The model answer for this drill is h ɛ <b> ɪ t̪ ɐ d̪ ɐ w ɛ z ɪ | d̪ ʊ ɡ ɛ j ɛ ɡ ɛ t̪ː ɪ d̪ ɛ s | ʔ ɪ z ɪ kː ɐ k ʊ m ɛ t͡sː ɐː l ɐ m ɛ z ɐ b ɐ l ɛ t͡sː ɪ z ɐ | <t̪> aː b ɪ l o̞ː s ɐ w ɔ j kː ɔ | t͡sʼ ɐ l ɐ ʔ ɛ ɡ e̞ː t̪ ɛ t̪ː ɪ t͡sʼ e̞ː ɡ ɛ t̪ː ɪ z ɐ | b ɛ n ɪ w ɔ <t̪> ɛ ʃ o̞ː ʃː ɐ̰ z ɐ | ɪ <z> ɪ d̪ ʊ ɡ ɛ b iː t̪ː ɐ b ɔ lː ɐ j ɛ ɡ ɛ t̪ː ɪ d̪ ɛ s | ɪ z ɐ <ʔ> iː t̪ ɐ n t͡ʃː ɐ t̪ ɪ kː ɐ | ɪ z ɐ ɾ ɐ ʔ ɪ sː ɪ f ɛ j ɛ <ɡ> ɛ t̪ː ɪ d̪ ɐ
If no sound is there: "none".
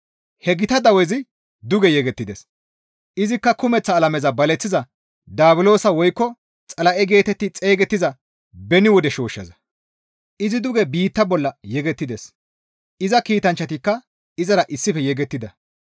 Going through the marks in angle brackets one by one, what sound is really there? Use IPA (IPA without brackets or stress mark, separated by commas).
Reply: ɡ, d̪, d̪, z, k, ɡ